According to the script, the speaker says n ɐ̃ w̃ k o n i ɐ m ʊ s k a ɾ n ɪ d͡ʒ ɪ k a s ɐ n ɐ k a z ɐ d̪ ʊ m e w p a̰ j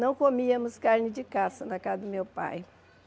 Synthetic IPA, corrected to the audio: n ɐ̃ w̃ k o m i ɐ m ʊ s k a ɾ n ɪ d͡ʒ ɪ k a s ɐ n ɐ k a z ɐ d̪ ʊ m e w p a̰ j